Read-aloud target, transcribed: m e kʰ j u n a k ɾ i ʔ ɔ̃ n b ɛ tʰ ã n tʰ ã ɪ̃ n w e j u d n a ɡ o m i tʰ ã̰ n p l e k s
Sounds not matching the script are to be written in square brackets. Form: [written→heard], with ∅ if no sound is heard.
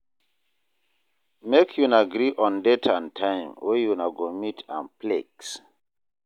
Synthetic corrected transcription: m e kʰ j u n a [k→ɡ] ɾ i ʔ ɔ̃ n [b→d] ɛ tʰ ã n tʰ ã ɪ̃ [n→m] w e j u [d→∅] n a ɡ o m i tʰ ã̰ n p l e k s